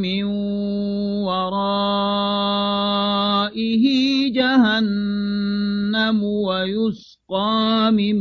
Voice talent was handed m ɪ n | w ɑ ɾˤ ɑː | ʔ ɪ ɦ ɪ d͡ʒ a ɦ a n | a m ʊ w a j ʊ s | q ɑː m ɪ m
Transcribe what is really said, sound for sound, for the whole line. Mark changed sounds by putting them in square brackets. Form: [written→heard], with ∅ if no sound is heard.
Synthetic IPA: m ɪ n | w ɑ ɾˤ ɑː | ʔ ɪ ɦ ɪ d͡ʒ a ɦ a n | a m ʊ w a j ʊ s | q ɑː m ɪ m